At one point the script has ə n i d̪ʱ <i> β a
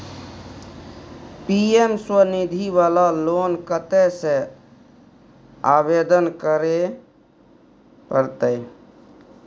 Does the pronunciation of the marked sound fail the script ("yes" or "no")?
no